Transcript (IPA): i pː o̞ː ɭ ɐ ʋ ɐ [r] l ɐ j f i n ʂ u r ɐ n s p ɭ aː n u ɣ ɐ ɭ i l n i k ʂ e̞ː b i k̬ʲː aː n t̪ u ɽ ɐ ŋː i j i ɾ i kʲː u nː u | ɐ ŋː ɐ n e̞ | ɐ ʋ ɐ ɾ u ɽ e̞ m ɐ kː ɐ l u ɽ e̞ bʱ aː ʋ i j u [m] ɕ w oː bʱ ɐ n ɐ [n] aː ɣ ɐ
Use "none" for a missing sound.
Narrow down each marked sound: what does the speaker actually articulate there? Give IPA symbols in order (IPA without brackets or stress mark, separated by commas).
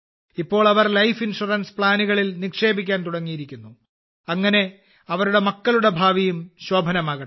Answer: r, m, m